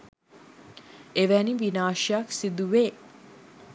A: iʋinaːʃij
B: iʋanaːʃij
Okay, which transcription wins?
A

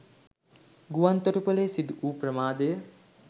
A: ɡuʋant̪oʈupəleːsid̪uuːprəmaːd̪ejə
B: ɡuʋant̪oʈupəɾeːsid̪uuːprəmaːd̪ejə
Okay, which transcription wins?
A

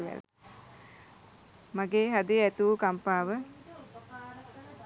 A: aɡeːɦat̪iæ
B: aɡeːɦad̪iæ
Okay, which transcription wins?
B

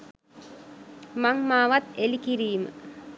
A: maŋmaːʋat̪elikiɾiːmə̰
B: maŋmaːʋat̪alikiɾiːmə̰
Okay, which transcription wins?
A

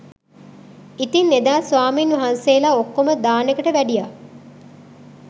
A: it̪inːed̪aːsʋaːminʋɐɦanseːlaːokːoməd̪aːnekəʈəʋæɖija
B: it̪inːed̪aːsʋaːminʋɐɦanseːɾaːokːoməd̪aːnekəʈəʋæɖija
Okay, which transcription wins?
A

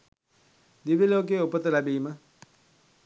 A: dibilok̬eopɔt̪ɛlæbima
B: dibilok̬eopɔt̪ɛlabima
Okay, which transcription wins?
B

